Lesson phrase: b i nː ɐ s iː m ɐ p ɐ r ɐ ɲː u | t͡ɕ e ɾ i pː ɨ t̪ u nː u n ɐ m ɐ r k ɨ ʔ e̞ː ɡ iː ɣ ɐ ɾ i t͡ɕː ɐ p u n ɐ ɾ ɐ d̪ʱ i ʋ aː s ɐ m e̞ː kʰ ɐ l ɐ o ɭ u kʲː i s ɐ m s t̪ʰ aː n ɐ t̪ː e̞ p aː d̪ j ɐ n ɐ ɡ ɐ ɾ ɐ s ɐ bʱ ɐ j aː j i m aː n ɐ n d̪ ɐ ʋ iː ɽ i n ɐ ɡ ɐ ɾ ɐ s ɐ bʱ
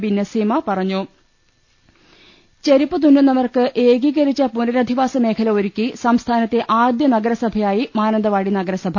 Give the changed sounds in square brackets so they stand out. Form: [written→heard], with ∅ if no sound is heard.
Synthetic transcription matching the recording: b i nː ɐ s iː m ɐ p ɐ r ɐ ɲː u | t͡ɕ e ɾ i pː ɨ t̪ u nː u n ɐ m ɐ r k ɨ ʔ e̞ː ɡ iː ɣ ɐ ɾ i t͡ɕː ɐ p u n ɐ ɾ ɐ d̪ʱ i ʋ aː s ɐ m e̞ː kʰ ɐ l ɐ o [ɭ→ɾ] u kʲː i s ɐ m s t̪ʰ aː n ɐ t̪ː e̞ [p→ʔ] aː d̪ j ɐ n ɐ ɡ ɐ ɾ ɐ s ɐ bʱ ɐ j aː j i m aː n ɐ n d̪ ɐ ʋ [iː→aː] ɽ i n ɐ ɡ ɐ ɾ ɐ s ɐ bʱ